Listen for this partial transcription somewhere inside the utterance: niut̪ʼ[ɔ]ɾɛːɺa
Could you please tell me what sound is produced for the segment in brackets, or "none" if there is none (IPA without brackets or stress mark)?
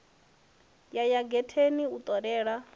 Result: ɔ